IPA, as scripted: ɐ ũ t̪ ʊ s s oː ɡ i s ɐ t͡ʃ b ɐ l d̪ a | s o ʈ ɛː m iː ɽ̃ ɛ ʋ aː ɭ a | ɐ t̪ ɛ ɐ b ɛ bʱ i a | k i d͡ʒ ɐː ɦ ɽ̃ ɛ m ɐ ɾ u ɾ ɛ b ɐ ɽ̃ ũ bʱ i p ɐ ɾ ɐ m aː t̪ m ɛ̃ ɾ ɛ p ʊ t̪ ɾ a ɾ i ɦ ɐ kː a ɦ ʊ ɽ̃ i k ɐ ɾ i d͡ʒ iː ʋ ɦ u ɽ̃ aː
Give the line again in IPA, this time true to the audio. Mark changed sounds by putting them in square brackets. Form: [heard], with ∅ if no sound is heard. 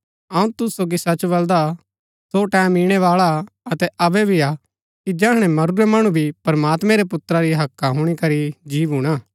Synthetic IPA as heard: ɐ ũ t̪ ʊ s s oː ɡ i s ɐ t͡ʃ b ɐ l d̪ a | s o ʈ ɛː m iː ɽ̃ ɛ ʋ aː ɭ a | ɐ t̪ ɛ ɐ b ɛ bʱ i a | k i d͡ʒ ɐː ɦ ɽ̃ ɛ m ɐ ɾ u ɾ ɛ [m] ɐ ɽ̃ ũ bʱ i p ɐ ɾ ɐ m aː t̪ m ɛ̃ ɾ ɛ p ʊ t̪ ɾ a ɾ i ɦ ɐ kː a ɦ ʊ ɽ̃ i k ɐ ɾ i d͡ʒ iː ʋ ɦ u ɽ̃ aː